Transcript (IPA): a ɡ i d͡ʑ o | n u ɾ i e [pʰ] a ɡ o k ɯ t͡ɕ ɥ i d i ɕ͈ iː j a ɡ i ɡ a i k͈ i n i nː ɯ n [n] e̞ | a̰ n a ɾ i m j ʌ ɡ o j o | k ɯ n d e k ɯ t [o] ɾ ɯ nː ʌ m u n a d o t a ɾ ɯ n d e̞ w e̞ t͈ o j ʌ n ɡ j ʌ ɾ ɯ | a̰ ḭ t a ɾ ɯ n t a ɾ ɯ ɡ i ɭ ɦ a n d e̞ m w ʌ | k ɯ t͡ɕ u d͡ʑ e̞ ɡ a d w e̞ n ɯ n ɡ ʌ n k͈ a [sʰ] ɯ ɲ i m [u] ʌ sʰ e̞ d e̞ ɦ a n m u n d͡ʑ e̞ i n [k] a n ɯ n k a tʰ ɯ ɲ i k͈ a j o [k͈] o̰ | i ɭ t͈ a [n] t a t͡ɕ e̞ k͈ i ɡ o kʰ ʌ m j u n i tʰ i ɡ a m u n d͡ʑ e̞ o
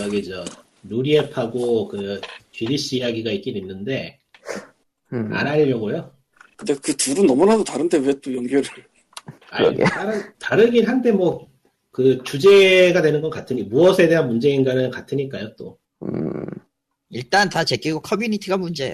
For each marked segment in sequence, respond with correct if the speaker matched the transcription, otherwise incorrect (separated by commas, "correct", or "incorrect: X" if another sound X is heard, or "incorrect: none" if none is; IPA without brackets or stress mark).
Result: correct, incorrect: d, incorrect: u, incorrect: tʰ, correct, incorrect: ɡ, incorrect: t͈, correct